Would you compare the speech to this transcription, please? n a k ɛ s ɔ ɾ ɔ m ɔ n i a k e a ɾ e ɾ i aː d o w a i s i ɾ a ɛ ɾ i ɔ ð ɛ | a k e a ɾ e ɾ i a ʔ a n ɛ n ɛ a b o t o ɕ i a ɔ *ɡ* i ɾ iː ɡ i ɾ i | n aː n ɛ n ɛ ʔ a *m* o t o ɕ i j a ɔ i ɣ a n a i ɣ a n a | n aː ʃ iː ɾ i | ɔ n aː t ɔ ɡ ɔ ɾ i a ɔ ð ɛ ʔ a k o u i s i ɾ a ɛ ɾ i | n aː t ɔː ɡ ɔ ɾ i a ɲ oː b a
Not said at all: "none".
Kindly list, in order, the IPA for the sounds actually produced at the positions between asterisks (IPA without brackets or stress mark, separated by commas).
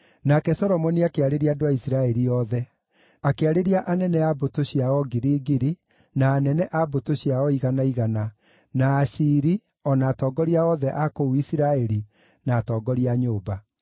ɡ, b